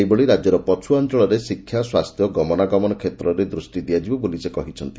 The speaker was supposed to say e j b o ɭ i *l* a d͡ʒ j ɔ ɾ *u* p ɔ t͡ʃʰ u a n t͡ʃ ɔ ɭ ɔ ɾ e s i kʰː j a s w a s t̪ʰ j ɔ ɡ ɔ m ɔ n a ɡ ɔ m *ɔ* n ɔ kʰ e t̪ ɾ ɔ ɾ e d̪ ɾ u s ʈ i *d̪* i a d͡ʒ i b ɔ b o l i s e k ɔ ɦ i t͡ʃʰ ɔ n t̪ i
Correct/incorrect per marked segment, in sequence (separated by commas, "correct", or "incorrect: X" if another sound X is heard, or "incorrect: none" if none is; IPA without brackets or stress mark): incorrect: ɾ, incorrect: ɔ, correct, correct